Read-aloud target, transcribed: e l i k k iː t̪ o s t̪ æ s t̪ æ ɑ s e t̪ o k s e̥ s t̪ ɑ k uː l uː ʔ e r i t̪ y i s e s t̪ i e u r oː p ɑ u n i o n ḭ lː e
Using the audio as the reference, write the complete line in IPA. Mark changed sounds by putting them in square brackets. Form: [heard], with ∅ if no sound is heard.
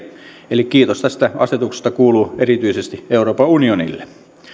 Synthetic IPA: e l i k k iː t̪ o s t̪ æ s t̪ æ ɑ s e t̪ [u] k s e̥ s t̪ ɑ k uː l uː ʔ e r i t̪ y i s e s t̪ i e u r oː p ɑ u n i o n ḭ lː e